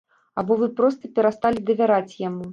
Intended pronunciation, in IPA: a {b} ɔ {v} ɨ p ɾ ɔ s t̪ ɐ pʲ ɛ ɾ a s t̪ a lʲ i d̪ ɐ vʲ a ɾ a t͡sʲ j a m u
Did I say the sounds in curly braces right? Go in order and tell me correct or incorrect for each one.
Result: correct, correct

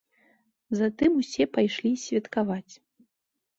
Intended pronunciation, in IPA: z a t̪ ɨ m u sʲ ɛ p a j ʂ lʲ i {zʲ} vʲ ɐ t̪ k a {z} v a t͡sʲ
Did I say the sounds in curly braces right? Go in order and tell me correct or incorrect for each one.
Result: incorrect, incorrect

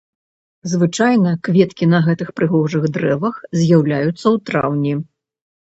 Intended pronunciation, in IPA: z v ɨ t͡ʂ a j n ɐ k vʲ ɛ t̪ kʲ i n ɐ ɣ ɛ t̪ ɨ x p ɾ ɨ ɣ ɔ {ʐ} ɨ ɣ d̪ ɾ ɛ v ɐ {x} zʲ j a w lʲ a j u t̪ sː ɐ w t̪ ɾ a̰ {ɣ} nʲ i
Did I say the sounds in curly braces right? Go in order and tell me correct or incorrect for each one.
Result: correct, correct, incorrect

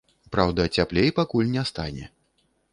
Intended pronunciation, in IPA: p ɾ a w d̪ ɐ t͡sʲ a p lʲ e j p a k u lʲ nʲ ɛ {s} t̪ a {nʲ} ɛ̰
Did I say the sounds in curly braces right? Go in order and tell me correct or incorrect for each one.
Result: correct, correct

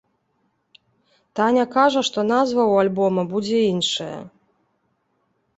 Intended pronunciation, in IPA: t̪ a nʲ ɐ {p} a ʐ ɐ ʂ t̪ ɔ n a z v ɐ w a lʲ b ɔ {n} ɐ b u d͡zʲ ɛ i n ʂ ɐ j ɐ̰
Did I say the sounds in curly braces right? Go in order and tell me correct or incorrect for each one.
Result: incorrect, incorrect

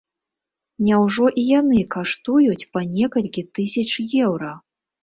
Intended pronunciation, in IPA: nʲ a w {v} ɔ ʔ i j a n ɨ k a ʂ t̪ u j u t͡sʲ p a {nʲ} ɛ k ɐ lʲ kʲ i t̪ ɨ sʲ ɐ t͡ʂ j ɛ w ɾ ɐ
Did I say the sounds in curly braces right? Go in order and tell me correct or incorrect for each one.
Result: incorrect, correct

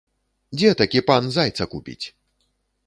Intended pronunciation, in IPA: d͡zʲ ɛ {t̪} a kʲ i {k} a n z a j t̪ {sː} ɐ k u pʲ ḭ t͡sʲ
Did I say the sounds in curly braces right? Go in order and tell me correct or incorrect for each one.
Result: correct, incorrect, incorrect

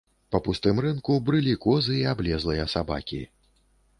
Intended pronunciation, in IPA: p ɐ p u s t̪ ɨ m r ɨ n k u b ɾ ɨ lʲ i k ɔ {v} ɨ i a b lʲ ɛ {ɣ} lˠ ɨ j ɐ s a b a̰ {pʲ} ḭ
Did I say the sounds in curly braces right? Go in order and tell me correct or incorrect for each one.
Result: incorrect, incorrect, incorrect

